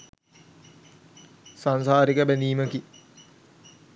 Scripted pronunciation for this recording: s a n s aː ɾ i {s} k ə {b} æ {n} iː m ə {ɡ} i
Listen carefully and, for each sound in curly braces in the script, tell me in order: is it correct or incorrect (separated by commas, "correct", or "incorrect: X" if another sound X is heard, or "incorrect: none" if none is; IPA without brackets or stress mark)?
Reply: incorrect: none, correct, correct, incorrect: k